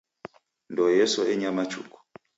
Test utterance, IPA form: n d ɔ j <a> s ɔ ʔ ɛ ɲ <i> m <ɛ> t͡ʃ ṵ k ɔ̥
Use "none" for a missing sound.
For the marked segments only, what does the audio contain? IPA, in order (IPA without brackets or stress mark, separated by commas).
ɛ, a, a